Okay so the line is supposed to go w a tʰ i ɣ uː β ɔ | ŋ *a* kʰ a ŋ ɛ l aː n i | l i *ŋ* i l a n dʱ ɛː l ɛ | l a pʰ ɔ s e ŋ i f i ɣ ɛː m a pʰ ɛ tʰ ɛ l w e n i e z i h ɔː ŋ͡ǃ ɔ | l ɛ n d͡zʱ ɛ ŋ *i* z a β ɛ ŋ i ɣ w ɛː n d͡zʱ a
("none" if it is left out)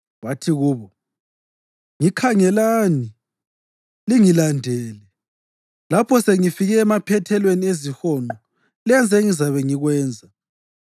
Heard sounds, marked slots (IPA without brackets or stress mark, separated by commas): i, ŋ, i